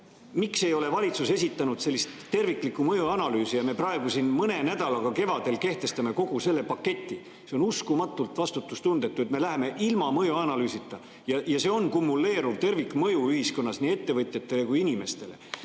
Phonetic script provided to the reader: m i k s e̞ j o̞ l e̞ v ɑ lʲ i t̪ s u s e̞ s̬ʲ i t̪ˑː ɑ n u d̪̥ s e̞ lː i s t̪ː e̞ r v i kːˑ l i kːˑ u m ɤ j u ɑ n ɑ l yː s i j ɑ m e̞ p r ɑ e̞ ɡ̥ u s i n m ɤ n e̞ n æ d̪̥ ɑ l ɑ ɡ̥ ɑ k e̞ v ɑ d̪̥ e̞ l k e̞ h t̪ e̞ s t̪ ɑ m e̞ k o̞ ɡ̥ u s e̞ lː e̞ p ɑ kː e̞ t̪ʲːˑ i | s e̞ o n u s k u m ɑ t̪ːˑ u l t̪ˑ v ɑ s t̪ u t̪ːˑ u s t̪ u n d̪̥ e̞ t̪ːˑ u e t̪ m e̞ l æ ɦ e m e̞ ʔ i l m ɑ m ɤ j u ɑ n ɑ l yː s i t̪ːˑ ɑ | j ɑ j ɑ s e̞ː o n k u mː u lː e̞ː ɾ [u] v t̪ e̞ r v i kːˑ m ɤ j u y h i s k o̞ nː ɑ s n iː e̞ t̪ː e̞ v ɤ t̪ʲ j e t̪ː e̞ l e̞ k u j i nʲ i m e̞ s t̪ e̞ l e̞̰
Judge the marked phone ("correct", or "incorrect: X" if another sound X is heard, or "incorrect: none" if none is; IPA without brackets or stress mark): correct